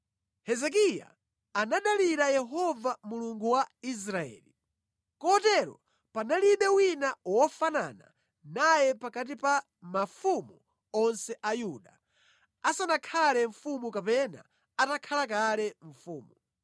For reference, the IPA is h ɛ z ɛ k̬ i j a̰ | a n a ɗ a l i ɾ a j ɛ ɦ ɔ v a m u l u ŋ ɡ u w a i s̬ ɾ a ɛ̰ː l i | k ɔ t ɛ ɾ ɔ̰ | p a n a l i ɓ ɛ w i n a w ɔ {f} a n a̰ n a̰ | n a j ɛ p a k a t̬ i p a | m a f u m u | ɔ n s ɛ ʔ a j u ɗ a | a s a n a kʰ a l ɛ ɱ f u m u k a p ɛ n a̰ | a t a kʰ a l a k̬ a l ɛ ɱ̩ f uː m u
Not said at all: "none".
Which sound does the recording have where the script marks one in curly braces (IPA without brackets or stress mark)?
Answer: f